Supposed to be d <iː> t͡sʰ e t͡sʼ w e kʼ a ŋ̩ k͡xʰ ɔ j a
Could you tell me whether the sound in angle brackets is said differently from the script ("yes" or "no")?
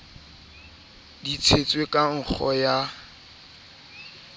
yes